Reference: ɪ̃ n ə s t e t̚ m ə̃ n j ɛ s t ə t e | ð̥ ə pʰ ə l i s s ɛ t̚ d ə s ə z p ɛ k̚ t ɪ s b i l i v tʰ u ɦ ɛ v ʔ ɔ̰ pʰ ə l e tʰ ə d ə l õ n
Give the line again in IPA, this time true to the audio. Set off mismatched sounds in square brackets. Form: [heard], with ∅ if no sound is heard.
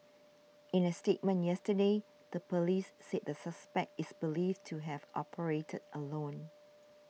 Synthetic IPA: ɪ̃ n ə s t e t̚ m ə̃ n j ɛ s t ə [d] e | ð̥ ə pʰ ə l i s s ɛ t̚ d ə s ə [s] p ɛ k̚ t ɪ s b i l i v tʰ u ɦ ɛ v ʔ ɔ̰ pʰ ə [ɹ] e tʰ ə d ə l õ n